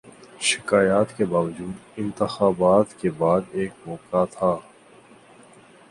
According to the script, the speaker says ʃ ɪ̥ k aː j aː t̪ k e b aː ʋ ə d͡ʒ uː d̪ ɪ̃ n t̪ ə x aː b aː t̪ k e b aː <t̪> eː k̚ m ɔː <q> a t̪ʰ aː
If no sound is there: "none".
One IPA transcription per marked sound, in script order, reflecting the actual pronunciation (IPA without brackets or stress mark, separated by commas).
d̪, k